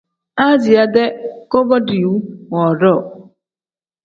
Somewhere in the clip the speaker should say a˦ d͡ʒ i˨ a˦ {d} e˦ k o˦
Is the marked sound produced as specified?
yes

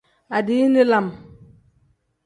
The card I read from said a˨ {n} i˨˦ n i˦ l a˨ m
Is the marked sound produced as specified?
no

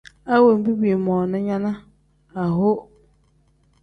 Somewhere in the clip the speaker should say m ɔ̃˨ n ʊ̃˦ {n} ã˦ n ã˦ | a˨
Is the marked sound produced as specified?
no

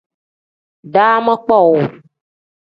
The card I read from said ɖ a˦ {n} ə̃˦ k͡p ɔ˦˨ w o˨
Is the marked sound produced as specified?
no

